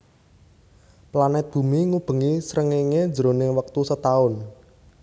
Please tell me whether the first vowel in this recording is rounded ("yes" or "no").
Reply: no